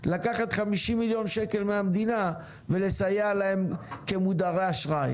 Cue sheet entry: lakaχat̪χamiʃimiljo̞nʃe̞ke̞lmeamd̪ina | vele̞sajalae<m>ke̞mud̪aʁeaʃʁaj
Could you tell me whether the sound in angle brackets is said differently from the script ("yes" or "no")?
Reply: no